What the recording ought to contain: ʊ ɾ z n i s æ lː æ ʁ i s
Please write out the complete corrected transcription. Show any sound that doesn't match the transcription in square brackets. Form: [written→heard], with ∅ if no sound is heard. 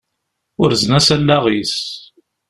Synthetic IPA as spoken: ʊ ɾ z n [i→æ] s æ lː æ ʁ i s

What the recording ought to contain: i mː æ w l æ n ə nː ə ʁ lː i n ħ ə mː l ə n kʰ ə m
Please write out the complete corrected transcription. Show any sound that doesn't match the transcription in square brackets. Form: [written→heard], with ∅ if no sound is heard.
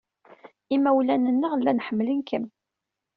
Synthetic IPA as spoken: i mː æ w l æ n ə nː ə ʁ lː [i→æ] n ħ ə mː l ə n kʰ ə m

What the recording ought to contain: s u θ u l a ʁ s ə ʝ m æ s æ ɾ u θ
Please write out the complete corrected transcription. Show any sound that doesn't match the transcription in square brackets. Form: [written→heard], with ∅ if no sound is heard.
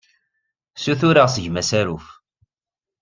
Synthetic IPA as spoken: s u θ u [l→ɾ] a ʁ s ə ʝ m æ s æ ɾ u [θ→f]

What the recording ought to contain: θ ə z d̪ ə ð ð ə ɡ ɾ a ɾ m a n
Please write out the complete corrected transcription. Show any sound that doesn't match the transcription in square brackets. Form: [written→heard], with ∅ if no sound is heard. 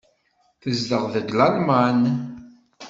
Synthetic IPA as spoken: θ ə z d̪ ə [ð→ʁ] ð ə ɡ [ɾ→l] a [ɾ→l] m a n

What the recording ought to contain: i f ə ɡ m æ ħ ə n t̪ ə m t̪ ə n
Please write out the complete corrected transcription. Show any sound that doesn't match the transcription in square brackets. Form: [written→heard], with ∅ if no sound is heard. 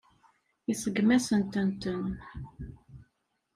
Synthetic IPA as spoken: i [f→s] ə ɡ m æ [ħ→s] ə n t̪ ə [m→n] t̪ ə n

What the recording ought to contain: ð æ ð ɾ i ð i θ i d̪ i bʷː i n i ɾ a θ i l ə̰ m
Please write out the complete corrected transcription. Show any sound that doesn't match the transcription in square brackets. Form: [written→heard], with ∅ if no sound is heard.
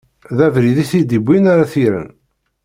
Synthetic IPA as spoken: ð æ [ð→v] ɾ i ð i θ i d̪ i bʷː i n [i→a] ɾ a θ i [l→ɾ] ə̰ [m→n]

